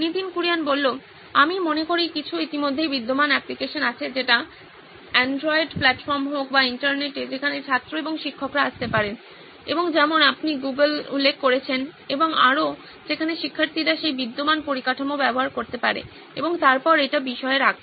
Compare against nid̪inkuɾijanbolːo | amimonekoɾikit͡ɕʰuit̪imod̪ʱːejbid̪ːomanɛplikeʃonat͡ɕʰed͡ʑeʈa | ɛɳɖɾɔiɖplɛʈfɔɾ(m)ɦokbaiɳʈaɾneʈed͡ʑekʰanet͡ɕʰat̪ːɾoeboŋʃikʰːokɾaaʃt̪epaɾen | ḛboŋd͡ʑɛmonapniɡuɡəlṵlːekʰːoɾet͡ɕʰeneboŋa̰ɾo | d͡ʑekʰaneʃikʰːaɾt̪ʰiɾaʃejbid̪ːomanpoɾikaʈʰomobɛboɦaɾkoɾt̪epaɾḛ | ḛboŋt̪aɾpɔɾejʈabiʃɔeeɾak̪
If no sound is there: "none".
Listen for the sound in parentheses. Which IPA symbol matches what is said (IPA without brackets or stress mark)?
m